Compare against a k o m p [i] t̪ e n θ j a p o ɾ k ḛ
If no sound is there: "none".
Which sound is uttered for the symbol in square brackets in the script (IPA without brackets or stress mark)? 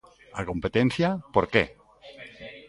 e